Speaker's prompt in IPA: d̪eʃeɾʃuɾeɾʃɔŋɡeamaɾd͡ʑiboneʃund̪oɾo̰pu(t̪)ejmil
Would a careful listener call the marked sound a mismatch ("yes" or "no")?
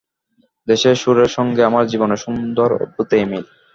no